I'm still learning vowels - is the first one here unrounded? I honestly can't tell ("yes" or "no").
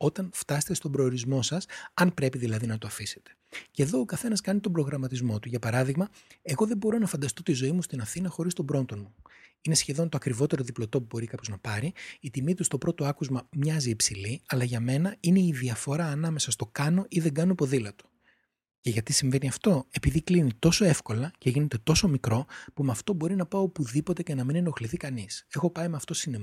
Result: no